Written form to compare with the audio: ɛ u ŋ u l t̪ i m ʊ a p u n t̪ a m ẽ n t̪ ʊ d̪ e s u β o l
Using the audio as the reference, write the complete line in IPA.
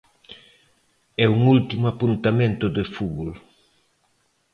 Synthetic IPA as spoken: ɛ u ŋ u l t̪ i m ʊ a p u n t̪ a m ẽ n t̪ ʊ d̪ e f u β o l